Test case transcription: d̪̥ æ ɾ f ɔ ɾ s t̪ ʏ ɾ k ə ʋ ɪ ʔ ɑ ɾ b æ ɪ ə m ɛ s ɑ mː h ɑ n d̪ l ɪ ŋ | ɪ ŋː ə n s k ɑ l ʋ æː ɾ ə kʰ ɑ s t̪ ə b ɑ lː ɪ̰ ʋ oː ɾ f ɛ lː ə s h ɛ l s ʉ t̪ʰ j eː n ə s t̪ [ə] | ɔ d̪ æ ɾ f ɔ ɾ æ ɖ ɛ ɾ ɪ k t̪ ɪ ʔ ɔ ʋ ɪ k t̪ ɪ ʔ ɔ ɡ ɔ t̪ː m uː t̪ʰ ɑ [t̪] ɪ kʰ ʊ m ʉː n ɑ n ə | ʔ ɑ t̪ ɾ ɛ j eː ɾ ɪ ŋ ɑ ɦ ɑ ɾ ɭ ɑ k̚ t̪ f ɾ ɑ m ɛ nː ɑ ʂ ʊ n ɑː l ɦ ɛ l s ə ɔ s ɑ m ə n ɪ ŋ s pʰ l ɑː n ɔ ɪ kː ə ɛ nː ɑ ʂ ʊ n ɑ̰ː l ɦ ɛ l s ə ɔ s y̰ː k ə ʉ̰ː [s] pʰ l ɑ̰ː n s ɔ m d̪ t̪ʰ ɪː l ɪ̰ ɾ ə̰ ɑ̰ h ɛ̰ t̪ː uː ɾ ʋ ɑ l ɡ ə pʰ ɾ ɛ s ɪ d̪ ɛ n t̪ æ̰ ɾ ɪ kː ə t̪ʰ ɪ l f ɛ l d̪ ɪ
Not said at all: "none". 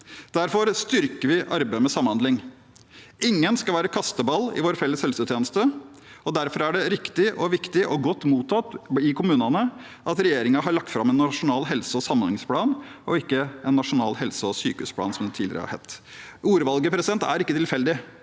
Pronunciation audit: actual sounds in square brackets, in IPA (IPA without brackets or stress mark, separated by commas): ə, t̪, s